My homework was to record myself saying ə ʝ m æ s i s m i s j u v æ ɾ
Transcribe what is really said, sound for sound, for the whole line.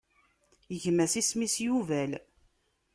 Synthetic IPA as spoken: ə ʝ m æ s i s m i s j u v æ l